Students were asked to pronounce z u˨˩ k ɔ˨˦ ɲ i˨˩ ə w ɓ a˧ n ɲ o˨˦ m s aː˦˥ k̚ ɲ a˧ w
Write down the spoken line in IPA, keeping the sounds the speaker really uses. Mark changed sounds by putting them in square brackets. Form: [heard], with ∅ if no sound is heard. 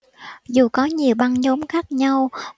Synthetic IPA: z u˨˩ k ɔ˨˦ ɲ i˨˩ ə w ɓ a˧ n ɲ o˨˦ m [x] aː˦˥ k̚ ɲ a˧ w

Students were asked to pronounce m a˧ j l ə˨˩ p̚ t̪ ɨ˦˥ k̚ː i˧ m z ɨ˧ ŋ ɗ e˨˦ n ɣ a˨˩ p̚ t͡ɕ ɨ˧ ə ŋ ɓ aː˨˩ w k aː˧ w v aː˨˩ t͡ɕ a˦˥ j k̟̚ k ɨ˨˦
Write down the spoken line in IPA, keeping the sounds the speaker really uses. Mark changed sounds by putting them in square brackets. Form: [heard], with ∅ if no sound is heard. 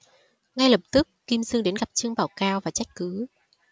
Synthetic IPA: [ŋ] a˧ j l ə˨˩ p̚ t̪ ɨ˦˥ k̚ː i˧ m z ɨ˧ ŋ ɗ e˨˦ n ɣ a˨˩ p̚ t͡ɕ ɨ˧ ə ŋ ɓ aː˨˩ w k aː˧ w v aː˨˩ t͡ɕ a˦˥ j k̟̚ k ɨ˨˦

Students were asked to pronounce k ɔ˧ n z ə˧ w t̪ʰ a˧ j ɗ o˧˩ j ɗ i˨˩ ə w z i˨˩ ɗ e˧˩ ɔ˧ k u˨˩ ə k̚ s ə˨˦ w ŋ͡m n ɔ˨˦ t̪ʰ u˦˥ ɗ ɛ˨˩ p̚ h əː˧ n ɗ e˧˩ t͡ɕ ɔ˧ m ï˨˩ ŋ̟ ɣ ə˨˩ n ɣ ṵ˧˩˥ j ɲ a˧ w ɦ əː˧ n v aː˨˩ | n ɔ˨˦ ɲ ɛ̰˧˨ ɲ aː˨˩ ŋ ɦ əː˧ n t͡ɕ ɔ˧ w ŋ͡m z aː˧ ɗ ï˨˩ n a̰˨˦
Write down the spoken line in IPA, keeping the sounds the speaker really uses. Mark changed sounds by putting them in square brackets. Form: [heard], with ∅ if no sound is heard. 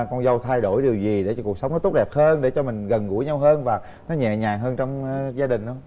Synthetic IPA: k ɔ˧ n z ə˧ w t̪ʰ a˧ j ɗ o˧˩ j ɗ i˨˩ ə w z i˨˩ ɗ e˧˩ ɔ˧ k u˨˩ ə k̚ s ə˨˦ w ŋ͡m n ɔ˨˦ [t̪] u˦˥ ɗ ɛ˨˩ p̚ h əː˧ n ɗ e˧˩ t͡ɕ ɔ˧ m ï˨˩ ŋ̟ ɣ ə˨˩ n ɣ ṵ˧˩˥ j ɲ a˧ w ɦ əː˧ n v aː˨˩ | n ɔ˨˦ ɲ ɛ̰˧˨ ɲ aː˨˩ ŋ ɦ əː˧ n t͡ɕ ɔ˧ w ŋ͡m z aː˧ ɗ ï˨˩ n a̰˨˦

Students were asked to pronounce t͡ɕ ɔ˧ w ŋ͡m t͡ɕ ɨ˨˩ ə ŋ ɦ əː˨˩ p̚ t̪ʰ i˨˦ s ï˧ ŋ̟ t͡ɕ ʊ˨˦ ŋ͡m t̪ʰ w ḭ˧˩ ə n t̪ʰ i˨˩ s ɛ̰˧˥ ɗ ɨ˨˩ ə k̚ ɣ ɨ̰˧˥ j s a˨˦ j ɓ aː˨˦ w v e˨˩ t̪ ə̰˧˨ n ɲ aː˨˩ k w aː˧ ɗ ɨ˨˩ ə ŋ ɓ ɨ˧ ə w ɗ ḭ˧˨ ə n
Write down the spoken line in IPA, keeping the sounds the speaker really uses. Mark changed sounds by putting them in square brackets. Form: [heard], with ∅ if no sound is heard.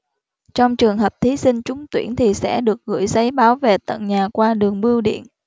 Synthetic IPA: t͡ɕ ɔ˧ w ŋ͡m t͡ɕ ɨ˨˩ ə ŋ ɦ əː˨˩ p̚ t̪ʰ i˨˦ s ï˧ ŋ̟ t͡ɕ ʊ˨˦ ŋ͡m [t̪] w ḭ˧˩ ə n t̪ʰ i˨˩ s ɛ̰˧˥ ɗ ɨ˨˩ ə k̚ ɣ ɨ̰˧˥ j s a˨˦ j ɓ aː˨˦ w v e˨˩ t̪ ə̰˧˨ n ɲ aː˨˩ k w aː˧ ɗ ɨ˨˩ ə ŋ ɓ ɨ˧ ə w ɗ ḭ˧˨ ə n

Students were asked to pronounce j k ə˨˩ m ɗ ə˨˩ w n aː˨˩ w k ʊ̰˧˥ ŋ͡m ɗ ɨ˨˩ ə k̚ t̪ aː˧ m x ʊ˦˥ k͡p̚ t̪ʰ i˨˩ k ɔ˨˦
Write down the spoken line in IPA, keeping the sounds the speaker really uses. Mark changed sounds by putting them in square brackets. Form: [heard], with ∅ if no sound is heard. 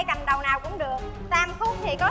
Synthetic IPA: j k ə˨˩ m ɗ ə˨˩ w n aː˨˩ w k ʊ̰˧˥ ŋ͡m ɗ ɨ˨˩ ə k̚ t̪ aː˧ m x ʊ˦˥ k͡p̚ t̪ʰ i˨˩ k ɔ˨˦

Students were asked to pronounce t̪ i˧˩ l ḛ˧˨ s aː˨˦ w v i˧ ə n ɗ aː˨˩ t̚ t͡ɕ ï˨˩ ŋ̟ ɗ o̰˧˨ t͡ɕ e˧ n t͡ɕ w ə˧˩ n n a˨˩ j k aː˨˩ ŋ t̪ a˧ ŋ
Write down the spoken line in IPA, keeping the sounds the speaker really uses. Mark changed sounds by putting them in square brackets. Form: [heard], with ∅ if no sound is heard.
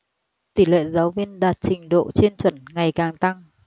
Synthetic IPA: t̪ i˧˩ l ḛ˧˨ [z] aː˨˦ w v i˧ ə n ɗ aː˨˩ t̚ t͡ɕ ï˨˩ ŋ̟ ɗ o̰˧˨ t͡ɕ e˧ n t͡ɕ w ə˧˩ n [ŋ] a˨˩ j k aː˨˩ ŋ t̪ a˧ ŋ

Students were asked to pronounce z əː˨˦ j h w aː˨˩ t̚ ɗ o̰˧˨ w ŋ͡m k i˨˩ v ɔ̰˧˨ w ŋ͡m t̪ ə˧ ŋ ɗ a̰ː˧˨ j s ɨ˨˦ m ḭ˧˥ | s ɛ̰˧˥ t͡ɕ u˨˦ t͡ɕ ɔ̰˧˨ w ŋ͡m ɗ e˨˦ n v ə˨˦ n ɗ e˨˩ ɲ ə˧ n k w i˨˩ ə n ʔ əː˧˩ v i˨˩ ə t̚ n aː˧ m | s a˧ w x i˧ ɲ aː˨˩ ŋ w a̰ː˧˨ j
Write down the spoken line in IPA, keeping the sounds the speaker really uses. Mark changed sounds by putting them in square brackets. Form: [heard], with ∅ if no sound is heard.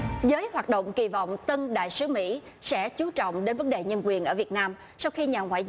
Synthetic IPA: z əː˨˦ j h w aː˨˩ t̚ ɗ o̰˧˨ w ŋ͡m k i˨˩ v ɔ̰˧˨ w ŋ͡m t̪ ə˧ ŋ ɗ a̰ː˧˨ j s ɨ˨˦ m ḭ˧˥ | s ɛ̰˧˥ t͡ɕ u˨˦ t͡ɕ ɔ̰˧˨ w ŋ͡m ɗ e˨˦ n v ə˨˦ n ɗ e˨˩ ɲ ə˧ n k w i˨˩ ə n ʔ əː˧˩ v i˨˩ ə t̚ n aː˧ m | s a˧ w x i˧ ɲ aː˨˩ ŋ w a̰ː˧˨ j

